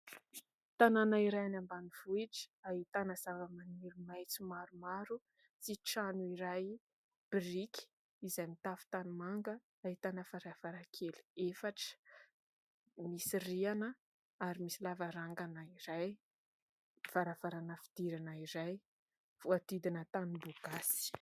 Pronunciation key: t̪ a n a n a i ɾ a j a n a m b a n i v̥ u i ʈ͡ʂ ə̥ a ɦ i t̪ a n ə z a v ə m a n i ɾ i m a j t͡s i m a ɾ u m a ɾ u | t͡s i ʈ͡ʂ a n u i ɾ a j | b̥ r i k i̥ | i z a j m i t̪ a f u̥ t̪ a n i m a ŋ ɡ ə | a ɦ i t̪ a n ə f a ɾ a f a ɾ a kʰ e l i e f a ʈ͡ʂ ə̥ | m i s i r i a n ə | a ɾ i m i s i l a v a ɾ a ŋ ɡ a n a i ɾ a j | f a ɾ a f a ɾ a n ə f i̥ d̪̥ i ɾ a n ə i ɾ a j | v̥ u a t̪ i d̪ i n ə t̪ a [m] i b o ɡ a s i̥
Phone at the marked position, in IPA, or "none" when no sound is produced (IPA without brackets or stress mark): n